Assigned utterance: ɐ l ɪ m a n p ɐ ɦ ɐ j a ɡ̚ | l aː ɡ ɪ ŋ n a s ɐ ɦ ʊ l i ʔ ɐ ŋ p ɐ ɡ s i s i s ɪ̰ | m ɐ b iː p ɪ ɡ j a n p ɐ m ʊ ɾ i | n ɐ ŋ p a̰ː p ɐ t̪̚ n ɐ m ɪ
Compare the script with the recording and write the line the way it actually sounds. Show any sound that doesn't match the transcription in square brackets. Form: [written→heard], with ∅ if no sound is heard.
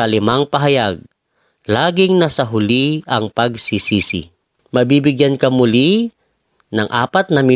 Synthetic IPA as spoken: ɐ l ɪ m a [n→ŋ] p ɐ ɦ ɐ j a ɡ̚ | l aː ɡ ɪ ŋ n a s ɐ ɦ ʊ l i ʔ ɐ ŋ p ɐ ɡ s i s i s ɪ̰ | m ɐ b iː [p→b] ɪ ɡ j a n [p→k] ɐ m ʊ [ɾ→l] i | n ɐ ŋ [p→ʔ] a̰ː p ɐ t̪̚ n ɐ m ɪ